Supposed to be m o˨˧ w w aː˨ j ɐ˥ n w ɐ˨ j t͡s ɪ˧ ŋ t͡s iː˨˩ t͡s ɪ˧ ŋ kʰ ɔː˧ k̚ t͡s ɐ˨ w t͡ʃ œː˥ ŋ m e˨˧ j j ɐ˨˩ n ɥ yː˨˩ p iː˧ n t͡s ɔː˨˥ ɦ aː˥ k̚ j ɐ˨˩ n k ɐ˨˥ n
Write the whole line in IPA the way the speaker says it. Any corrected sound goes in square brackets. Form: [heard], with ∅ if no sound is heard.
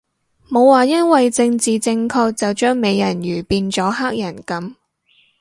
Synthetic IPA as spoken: m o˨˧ w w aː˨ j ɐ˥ n w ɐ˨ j t͡s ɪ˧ ŋ t͡s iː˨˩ t͡s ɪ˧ ŋ kʰ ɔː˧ k̚ t͡s ɐ˨ w t͡ʃ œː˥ ŋ m e˨˧ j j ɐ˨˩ n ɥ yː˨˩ p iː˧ n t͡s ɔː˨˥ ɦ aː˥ k̚ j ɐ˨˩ n k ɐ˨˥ [m]